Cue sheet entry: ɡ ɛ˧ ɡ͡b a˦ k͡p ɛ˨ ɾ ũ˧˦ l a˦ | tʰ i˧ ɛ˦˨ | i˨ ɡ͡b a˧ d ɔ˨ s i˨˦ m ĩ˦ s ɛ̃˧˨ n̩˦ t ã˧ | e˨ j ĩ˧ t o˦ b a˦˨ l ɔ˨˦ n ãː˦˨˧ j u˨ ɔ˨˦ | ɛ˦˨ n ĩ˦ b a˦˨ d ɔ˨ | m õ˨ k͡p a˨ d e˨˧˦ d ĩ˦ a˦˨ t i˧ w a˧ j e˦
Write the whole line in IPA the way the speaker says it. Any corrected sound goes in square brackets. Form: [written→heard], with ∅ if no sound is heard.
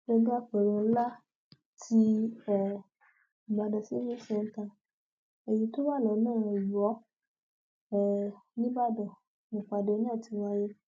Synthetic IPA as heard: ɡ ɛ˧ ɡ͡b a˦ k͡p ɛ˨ ɾ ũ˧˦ l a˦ | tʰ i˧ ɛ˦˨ | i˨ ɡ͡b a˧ d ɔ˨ s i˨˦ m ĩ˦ s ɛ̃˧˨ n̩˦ t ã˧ | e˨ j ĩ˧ t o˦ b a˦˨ l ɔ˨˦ n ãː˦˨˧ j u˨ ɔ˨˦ | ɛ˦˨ n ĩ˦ b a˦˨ d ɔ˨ | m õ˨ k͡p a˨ d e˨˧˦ [d→n] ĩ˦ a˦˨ t i˧ w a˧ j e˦